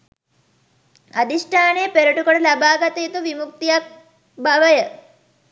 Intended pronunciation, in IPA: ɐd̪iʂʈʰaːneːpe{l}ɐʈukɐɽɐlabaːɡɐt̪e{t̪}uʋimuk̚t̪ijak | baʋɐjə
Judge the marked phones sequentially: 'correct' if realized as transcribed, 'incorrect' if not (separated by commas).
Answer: incorrect, correct